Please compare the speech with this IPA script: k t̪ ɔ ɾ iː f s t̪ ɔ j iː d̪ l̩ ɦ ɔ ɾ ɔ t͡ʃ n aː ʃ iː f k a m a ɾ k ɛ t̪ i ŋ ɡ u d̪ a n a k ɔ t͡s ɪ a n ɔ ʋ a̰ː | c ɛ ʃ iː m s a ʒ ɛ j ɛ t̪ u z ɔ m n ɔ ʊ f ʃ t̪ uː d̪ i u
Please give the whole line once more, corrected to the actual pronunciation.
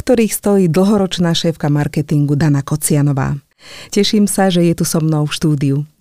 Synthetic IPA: k t̪ ɔ ɾ iː x s t̪ ɔ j iː d̪ l̩ ɦ ɔ ɾ ɔ t͡ʃ n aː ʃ ɛː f k a m a ɾ k ɛ t̪ i ŋ ɡ u d̪ a n a k ɔ t͡s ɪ a n ɔ ʋ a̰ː | c ɛ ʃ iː m s a ʒ ɛ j ɛ t̪ u s ɔ m n ɔ ʊ f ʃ t̪ uː d̪ i u